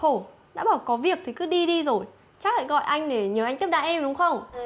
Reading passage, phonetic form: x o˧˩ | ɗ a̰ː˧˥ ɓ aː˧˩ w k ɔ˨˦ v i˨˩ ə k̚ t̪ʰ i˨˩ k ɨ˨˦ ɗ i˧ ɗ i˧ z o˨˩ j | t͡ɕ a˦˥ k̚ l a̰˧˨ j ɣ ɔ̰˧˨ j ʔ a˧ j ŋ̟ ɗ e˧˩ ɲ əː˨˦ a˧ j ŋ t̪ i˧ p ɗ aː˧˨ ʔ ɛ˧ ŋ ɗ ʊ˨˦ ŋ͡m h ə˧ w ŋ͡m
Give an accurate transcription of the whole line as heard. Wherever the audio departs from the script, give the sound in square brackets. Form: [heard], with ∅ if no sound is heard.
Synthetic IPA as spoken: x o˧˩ | ɗ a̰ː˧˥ ɓ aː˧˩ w k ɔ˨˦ v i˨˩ ə k̚ t̪ʰ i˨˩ k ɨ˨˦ ɗ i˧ ɗ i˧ z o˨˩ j | t͡ɕ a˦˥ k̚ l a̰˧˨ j ɣ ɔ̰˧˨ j ʔ a˧ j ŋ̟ ɗ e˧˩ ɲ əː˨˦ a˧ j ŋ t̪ [i˦˥] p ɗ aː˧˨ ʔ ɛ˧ [m] ɗ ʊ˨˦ ŋ͡m [x] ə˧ w ŋ͡m